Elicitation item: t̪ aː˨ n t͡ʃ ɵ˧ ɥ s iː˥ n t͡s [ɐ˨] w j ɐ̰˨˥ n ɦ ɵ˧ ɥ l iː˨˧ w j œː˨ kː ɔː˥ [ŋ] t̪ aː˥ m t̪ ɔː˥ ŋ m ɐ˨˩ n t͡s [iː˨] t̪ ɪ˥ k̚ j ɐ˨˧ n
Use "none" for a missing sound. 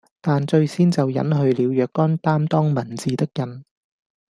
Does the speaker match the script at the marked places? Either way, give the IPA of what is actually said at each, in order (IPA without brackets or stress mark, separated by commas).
ɐ˨, n, iː˨